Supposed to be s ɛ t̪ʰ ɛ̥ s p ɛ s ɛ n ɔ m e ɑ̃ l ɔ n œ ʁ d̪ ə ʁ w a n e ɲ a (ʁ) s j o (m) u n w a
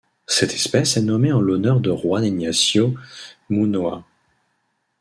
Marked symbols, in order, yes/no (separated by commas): no, yes